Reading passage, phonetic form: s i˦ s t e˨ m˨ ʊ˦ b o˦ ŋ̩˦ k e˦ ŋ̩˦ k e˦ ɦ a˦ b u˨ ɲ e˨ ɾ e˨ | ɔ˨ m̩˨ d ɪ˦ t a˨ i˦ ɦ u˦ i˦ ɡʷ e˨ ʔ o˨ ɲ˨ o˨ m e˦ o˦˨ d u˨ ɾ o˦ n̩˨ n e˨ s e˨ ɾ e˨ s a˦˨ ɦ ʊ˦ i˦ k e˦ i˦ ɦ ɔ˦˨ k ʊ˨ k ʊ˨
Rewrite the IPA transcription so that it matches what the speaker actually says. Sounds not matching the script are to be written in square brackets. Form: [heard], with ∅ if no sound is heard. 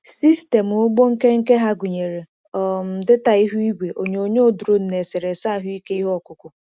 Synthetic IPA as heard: s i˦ s t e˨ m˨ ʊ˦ [ɡ͡b] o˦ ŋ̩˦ k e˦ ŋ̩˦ k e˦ ɦ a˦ [ɡ] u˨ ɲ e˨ ɾ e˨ | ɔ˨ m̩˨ d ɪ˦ t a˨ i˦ ɦ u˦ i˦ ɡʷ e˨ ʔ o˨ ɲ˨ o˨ [ɲ] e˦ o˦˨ d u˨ ɾ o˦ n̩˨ n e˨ s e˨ ɾ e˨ s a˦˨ ɦ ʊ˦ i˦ k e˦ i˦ ɦ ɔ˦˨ k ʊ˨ k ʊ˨